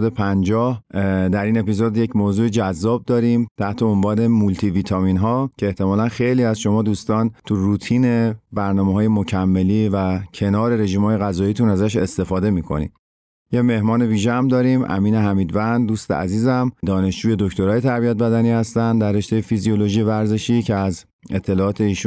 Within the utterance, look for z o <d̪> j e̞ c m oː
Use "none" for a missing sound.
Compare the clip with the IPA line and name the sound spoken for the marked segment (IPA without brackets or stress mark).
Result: d̪